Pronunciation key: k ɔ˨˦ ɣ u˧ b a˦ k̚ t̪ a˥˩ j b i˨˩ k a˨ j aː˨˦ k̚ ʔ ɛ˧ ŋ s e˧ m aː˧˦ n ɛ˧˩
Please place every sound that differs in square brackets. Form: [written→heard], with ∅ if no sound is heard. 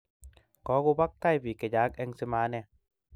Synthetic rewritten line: k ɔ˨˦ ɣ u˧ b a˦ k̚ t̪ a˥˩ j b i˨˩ k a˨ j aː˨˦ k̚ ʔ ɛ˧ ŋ s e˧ m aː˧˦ n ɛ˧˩